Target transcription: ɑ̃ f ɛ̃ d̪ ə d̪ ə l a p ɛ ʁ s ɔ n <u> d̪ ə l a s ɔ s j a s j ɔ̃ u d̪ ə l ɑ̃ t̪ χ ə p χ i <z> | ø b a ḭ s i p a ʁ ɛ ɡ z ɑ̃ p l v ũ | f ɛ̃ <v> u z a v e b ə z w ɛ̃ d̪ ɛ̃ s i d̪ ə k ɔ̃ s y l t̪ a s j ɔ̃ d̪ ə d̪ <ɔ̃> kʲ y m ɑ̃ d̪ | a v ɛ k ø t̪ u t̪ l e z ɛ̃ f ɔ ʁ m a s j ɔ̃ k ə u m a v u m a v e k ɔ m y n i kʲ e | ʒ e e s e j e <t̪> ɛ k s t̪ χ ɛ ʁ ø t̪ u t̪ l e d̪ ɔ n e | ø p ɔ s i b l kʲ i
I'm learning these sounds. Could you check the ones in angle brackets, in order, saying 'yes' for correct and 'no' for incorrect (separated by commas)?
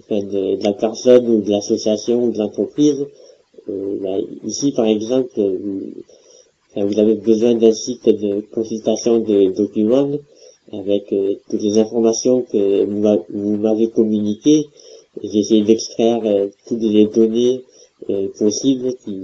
yes, yes, yes, no, no